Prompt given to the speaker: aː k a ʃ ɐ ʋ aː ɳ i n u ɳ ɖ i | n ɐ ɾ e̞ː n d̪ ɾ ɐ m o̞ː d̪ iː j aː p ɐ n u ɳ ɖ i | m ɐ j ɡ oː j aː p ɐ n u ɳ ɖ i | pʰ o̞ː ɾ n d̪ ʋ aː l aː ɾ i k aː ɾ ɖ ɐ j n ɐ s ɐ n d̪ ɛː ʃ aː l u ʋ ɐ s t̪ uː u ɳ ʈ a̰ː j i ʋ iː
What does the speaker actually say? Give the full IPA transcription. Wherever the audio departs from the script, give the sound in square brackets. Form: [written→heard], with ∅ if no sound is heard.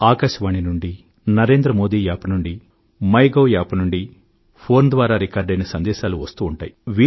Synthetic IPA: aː k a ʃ ɐ ʋ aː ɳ i n u ɳ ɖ i | n ɐ ɾ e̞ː n d̪ ɾ ɐ m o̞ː d̪ iː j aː p ɐ n u ɳ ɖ i | m ɐ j ɡ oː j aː p ɐ n u ɳ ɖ i | pʰ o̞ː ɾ n d̪ ʋ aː [l→ɾ] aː ɾ i k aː ɾ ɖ ɐ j n ɐ s ɐ n d̪ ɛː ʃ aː l u ʋ ɐ s t̪ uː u ɳ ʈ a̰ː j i ʋ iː